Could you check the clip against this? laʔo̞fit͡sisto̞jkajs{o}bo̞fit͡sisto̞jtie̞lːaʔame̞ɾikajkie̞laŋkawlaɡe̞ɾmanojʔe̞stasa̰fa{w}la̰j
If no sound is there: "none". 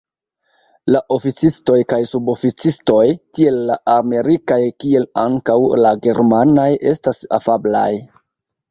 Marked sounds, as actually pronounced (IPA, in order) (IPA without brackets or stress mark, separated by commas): u, b